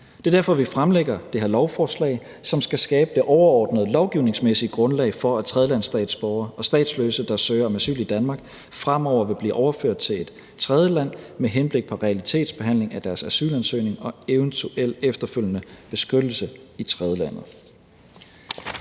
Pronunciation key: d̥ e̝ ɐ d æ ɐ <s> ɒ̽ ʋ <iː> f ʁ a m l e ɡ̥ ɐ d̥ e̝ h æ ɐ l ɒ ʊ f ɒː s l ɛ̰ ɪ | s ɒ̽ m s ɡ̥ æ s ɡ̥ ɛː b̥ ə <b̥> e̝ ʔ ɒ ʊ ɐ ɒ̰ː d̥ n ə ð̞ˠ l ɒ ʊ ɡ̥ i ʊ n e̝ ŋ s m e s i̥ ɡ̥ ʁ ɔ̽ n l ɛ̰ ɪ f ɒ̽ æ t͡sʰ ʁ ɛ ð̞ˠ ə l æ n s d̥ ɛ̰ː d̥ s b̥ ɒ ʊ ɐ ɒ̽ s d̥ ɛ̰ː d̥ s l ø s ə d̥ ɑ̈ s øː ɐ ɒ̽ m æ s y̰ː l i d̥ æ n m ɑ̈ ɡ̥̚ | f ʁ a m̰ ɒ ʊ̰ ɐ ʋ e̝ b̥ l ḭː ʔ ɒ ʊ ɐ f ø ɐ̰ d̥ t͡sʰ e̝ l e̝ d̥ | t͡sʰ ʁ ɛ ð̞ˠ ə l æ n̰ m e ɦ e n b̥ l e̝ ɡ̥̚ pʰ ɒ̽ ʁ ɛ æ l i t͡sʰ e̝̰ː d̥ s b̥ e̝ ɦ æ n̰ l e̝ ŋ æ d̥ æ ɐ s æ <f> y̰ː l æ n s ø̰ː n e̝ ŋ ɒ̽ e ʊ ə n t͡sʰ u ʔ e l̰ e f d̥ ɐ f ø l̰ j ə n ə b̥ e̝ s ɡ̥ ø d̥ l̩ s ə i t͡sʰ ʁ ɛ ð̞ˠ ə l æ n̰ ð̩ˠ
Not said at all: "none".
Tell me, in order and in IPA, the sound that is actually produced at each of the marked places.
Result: f, i, d̥, s

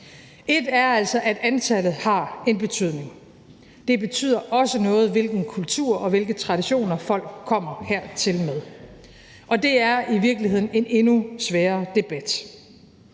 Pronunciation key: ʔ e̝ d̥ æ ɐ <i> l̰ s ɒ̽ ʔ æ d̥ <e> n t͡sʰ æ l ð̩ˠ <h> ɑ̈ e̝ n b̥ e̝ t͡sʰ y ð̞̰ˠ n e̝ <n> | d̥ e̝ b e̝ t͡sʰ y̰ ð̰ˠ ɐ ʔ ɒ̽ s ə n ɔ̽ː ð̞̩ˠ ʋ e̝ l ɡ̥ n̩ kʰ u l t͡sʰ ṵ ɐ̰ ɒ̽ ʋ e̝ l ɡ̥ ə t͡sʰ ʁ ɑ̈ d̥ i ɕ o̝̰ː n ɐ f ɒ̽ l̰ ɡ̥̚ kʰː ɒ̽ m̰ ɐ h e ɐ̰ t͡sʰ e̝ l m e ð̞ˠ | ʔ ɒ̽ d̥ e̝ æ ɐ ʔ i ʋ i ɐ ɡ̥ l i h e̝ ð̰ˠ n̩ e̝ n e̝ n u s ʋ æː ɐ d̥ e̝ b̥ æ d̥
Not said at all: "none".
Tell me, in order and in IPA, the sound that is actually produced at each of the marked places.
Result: æ, æ, h, ŋ

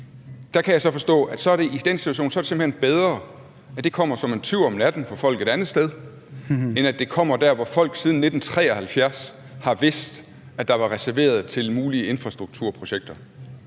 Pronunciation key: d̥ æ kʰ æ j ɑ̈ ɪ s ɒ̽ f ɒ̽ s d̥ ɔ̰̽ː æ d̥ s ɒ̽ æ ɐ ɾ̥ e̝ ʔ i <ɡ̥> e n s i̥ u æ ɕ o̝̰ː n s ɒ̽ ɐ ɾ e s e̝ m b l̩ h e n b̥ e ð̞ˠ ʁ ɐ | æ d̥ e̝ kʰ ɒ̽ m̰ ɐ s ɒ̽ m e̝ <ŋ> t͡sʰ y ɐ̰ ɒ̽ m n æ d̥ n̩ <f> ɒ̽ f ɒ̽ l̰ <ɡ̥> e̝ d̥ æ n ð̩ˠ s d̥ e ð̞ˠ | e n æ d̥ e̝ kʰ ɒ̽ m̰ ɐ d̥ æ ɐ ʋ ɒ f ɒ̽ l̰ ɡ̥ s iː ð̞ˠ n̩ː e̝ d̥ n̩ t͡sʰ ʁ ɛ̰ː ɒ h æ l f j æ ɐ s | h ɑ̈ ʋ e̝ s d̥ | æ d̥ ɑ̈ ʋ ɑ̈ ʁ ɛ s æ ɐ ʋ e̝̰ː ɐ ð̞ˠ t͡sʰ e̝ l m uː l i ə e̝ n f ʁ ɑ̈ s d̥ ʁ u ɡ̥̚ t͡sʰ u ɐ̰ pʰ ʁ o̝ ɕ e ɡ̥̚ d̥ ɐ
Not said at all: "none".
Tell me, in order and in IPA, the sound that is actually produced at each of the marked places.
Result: d̥, n, f, ɡ̥

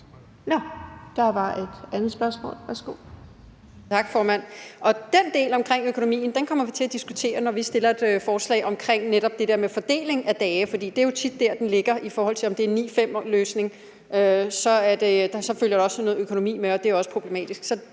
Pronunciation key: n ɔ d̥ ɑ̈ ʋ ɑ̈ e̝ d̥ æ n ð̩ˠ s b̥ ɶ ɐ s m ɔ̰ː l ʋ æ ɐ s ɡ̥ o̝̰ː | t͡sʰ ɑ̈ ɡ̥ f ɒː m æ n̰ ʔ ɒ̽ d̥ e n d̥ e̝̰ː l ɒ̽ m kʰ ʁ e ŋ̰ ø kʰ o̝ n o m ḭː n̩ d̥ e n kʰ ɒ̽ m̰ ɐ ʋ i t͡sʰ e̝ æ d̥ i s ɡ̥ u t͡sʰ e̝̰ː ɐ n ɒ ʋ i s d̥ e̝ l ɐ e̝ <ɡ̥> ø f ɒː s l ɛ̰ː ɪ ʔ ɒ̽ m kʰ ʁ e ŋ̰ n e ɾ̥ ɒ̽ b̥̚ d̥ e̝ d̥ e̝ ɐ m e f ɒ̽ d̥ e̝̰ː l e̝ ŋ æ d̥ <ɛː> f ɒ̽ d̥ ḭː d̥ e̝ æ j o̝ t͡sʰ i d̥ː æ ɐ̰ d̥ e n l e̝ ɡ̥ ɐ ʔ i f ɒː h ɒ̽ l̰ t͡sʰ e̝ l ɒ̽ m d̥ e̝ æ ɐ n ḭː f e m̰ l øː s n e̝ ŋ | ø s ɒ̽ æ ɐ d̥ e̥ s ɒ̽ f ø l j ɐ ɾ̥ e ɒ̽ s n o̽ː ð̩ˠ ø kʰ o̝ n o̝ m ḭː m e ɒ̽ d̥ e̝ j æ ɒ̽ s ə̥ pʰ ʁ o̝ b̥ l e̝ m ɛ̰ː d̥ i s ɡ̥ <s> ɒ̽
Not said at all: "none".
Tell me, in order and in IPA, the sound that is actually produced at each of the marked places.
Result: d̥, ɛː, s

